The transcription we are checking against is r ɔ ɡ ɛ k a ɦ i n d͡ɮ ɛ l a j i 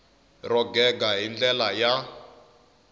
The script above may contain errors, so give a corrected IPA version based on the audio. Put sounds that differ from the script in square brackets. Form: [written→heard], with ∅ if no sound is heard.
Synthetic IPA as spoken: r ɔ ɡ ɛ [k→ɡ] a ɦ i n d͡ɮ ɛ l a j [i→a]